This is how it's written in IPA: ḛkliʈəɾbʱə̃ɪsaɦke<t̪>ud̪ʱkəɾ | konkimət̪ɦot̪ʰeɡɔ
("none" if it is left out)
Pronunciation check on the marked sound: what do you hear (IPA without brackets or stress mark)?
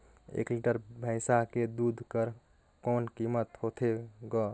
d̪